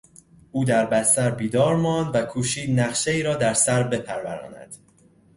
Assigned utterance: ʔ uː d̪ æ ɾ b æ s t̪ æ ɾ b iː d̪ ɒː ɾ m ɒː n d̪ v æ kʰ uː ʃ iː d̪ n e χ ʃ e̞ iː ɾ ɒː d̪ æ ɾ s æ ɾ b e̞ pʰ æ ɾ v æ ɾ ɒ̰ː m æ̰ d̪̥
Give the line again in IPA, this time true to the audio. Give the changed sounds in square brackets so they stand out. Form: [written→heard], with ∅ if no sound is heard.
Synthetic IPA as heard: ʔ uː d̪ æ ɾ b æ s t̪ æ ɾ b iː d̪ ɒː ɾ m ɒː n d̪ v æ kʰ uː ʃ iː d̪ n [e→æ] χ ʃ e̞ iː ɾ ɒː d̪ æ ɾ s æ ɾ b e̞ pʰ æ ɾ v æ ɾ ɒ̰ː [m→n] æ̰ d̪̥

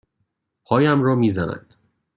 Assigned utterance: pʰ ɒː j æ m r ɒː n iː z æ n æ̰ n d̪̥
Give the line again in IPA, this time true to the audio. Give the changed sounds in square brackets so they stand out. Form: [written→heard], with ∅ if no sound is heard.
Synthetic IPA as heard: pʰ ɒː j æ m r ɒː [n→m] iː z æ n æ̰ n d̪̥

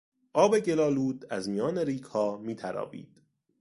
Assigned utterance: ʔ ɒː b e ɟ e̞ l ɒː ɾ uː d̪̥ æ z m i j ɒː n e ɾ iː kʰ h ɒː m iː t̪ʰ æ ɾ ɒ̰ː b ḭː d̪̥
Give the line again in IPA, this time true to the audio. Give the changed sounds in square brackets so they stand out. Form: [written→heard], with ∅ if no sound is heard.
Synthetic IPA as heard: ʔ ɒː b e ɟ e̞ l ɒː [ɾ→l] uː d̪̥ æ z m i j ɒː n e ɾ iː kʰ h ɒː m iː t̪ʰ æ ɾ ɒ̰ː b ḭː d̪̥

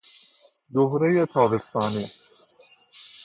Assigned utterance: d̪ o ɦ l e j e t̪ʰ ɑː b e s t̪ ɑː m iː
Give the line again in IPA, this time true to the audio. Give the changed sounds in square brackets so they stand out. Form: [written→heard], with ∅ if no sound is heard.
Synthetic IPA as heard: d̪ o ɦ [l→ɾ] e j e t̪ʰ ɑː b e s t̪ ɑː [m→n] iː

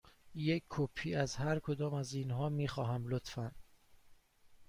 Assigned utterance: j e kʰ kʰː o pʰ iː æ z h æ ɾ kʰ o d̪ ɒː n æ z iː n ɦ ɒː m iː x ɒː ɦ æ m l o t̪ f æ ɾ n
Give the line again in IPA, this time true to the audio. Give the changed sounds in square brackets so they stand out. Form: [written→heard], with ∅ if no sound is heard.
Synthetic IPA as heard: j e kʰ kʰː o pʰ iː æ z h æ ɾ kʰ o d̪ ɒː [n→m] æ z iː n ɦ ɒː m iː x ɒː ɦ æ m l o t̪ f æ [ɾ→∅] n

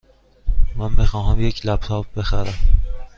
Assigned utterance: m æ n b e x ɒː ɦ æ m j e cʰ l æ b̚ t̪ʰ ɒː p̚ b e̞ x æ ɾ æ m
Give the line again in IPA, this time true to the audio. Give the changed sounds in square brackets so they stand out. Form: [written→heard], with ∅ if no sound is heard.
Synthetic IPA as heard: m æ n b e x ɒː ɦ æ m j e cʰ l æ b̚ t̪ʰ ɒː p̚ b e̞ x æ ɾ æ m

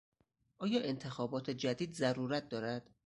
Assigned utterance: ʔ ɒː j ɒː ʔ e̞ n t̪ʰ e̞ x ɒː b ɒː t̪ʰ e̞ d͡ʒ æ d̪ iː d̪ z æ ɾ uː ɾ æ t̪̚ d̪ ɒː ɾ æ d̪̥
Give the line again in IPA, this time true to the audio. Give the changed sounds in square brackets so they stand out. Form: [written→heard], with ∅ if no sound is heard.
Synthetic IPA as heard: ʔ ɒː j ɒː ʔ e̞ n t̪ʰ e̞ x ɒː b ɒː t̪ʰ e̞ d͡ʒ æ d̪ iː d̪ z æ ɾ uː ɾ æ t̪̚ d̪ ɒː ɾ æ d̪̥

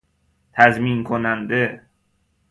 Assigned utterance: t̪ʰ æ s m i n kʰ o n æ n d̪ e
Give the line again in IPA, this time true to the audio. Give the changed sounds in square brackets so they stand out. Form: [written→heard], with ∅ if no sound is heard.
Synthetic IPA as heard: t̪ʰ æ [s→z] m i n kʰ o n æ n d̪ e

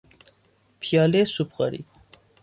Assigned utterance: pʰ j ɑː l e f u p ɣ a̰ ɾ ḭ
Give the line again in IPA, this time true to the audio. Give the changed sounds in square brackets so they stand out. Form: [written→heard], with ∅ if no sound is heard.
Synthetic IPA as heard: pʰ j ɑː l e [f→s] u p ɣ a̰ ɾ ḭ

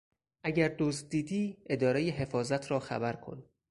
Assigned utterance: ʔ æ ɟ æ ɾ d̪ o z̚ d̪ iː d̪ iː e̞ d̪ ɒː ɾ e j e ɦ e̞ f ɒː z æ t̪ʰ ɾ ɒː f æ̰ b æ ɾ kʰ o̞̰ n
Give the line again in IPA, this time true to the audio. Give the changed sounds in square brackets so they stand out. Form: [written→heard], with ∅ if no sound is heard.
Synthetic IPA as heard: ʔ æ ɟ æ ɾ d̪ o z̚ d̪ iː d̪ iː e̞ d̪ ɒː ɾ e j e ɦ e̞ f ɒː z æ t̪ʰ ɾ ɒː [f→x] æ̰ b æ ɾ kʰ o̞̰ n

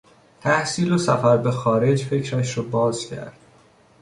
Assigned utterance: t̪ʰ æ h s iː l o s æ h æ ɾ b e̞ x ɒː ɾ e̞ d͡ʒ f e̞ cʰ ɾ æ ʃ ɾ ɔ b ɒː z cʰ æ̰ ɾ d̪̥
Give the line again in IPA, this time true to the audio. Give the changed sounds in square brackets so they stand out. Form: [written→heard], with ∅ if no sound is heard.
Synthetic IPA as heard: t̪ʰ æ h s iː l o s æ [h→f] æ ɾ b e̞ x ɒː ɾ e̞ d͡ʒ f e̞ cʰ ɾ æ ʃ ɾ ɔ b ɒː z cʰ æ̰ ɾ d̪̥

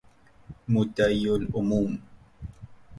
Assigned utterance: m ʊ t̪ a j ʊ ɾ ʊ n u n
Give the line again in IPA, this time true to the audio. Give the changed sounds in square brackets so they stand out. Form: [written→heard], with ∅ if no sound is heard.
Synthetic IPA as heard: m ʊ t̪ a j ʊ [ɾ→l] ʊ [n→m] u [n→m]

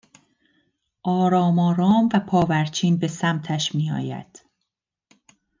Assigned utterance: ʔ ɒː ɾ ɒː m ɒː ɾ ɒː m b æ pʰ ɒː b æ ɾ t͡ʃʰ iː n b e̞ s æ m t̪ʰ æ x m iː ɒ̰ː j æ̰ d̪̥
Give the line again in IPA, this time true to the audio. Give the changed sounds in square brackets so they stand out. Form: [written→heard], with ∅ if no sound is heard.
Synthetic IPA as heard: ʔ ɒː ɾ ɒː m ɒː ɾ ɒː m [b→v] æ pʰ ɒː [b→v] æ ɾ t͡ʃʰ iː n b e̞ s æ m t̪ʰ æ [x→ʃ] m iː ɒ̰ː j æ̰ d̪̥

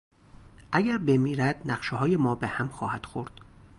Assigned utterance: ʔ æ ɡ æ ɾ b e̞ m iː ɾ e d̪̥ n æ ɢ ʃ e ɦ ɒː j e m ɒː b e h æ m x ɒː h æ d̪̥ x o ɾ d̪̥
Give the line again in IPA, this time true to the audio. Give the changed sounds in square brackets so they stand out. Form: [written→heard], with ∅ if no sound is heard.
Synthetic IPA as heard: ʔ æ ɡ æ ɾ b e̞ m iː ɾ [e→æ] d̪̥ n æ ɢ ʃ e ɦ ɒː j e m ɒː b e h æ m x ɒː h æ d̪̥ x o ɾ d̪̥

